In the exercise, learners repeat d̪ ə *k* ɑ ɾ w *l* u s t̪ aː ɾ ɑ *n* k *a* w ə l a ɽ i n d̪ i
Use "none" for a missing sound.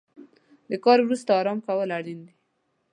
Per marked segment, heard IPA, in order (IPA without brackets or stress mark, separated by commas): k, ɾ, m, a